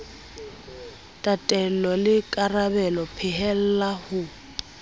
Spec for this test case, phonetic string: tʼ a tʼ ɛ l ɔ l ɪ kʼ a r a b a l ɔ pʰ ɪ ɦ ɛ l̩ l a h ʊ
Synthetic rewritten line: tʼ a tʼ ɛ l ɔ l ɪ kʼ a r a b ɛ l ɔ pʰ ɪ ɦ ɛ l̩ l a h ʊ